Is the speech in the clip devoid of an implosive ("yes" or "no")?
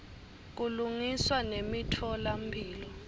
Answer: yes